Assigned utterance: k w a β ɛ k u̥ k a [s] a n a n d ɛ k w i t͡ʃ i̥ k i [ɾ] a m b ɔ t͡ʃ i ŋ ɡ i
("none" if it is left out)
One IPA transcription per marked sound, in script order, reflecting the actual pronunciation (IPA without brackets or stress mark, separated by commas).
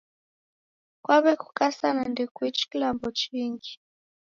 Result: s, l